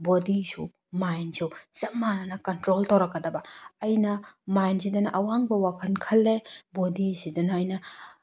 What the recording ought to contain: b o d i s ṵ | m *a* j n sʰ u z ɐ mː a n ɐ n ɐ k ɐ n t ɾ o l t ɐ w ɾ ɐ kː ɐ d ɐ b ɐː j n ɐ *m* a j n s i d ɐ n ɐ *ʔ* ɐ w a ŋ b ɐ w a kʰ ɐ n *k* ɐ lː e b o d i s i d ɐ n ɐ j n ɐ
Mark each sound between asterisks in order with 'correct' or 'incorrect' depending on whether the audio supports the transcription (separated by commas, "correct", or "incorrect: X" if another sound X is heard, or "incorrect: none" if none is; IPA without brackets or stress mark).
correct, correct, correct, incorrect: kʰ